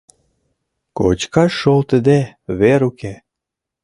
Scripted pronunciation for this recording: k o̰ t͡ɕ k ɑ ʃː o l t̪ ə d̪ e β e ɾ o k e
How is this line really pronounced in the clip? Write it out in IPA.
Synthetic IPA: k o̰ t͡ɕ k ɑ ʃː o l t̪ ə d̪ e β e ɾ u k e